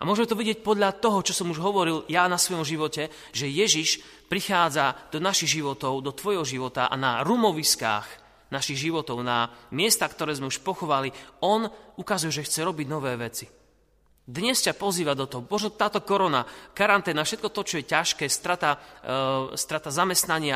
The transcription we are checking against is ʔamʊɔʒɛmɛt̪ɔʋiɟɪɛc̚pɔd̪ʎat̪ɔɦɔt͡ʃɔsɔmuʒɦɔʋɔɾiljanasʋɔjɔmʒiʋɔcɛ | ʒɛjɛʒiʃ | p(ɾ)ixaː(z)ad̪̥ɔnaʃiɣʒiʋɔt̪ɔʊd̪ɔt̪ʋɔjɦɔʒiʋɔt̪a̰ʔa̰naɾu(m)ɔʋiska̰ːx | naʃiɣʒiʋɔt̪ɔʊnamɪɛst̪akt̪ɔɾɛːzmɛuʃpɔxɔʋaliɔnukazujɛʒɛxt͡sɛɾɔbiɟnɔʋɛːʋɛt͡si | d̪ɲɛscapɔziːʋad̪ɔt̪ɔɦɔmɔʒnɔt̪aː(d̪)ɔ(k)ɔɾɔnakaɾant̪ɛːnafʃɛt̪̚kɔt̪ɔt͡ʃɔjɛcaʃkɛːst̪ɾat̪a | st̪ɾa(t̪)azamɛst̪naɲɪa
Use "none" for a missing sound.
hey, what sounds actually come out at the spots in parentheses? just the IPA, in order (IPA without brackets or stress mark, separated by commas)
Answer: ɾ, d͡z, m, t̪, k, t̪